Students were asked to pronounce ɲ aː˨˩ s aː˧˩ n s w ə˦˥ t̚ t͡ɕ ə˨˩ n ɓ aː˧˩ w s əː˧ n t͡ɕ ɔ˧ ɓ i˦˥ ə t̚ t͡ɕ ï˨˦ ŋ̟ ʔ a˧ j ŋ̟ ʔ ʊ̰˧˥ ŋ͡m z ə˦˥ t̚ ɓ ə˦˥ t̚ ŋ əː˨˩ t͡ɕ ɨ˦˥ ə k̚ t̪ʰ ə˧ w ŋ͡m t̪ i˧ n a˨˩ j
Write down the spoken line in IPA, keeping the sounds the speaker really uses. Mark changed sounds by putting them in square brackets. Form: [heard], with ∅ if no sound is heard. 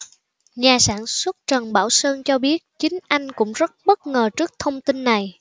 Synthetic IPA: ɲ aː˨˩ s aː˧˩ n s w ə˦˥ t̚ t͡ɕ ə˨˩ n ɓ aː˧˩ w s əː˧ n t͡ɕ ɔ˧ ɓ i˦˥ ə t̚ t͡ɕ ï˨˦ ŋ̟ ʔ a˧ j ŋ̟ [k] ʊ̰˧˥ ŋ͡m z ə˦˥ t̚ ɓ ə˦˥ t̚ ŋ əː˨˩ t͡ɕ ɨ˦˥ ə k̚ t̪ʰ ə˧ w ŋ͡m t̪ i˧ [nː] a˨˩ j

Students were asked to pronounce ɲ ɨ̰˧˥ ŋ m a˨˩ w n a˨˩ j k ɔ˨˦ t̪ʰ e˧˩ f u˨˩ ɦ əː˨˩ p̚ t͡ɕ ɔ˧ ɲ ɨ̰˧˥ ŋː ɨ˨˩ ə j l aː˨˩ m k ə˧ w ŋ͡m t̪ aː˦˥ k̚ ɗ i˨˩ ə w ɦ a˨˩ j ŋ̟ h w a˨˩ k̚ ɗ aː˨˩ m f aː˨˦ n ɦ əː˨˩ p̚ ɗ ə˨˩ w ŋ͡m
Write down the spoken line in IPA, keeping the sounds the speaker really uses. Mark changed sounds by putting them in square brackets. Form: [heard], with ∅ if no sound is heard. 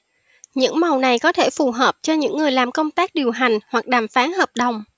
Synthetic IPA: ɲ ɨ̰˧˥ ŋ m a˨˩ w n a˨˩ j k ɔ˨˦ t̪ʰ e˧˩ f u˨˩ ɦ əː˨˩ p̚ t͡ɕ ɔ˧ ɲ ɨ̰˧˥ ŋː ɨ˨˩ ə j l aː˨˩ m k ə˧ w ŋ͡m t̪ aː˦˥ k̚ ɗ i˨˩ ə w ɦ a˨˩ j ŋ̟ h w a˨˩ k̚ ɗ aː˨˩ m f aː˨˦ n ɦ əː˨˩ p̚ ɗ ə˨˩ w ŋ͡m

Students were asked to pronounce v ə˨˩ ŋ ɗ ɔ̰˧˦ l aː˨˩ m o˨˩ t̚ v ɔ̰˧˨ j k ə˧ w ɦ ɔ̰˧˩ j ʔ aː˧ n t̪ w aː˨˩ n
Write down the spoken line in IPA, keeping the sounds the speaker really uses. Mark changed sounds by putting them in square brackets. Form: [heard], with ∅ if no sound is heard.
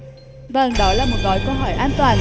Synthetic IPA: v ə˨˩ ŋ ɗ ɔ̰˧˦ l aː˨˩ m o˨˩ t̚ [ɣ] ɔ̰˧˨ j k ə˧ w ɦ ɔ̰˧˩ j ʔ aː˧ n t̪ w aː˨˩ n

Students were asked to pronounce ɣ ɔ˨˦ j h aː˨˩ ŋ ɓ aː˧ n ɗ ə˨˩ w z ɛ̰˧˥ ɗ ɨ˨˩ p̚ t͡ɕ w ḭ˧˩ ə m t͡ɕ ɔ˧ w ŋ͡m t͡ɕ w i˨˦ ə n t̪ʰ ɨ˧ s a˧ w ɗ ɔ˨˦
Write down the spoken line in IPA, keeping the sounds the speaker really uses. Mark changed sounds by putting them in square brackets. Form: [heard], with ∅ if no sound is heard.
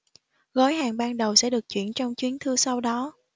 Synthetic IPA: ɣ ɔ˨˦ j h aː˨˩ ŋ ɓ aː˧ n ɗ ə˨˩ w [s] ɛ̰˧˥ ɗ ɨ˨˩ [k̚] t͡ɕ w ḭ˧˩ ə [n] t͡ɕ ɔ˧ w ŋ͡m t͡ɕ w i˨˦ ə n t̪ʰ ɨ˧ s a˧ w ɗ ɔ˨˦

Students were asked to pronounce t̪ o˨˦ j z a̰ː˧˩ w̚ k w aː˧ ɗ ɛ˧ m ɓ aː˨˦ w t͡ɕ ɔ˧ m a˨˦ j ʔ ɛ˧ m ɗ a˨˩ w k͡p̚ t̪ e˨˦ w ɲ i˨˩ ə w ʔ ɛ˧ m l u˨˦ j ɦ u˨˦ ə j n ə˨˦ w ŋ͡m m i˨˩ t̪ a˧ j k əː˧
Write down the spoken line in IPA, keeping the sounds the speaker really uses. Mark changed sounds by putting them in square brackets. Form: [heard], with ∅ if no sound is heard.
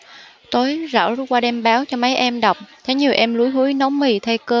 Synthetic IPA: t̪ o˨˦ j z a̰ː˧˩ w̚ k w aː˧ ɗ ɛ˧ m ɓ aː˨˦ w t͡ɕ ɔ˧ m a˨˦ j ʔ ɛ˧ m ɗ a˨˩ w k͡p̚ [t̪ʰ] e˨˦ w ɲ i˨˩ ə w ʔ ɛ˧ m l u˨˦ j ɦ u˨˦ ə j n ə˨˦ w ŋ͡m m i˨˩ [t̪ʰ] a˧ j k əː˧

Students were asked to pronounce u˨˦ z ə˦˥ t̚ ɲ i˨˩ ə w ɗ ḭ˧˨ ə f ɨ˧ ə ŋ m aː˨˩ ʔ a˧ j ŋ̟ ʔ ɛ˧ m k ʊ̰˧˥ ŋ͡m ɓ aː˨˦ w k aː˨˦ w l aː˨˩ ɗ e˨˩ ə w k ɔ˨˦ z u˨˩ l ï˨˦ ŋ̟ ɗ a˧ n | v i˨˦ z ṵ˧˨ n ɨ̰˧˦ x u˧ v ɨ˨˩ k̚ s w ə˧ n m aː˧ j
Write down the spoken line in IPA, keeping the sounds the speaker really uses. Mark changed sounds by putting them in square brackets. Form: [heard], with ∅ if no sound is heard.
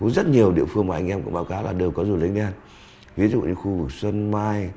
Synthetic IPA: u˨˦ z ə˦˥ t̚ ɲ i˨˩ ə w ɗ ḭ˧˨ ə f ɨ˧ ə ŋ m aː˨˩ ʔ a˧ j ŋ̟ ʔ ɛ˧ m k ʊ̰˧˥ ŋ͡m ɓ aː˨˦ w k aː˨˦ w l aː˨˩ ɗ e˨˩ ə w k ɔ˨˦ z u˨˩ l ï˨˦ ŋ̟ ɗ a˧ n | v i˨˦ z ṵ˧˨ [ɲ] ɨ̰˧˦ x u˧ v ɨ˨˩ k̚ s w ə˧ n m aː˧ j

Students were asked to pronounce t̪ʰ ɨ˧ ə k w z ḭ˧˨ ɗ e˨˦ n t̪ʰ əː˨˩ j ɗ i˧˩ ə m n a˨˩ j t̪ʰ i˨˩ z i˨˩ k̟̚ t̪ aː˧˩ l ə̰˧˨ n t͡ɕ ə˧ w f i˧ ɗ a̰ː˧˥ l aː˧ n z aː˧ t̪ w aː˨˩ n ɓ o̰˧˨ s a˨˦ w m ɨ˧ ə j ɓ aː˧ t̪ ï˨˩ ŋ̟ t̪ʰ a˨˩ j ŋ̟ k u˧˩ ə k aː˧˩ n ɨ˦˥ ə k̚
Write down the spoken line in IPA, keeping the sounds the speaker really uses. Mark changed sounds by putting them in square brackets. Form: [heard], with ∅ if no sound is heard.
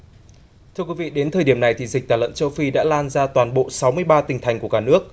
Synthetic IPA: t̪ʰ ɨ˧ ə k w [v] ḭ˧˨ ɗ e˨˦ n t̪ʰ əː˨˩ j ɗ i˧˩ ə m n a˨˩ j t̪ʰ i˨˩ z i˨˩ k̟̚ t̪ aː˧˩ l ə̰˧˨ n t͡ɕ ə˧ w f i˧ ɗ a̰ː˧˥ l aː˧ n z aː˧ t̪ w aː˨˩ n ɓ o̰˧˨ s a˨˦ w m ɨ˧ ə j ɓ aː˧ t̪ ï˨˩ ŋ̟ t̪ʰ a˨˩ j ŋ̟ k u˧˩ ə k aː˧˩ n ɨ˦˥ ə k̚

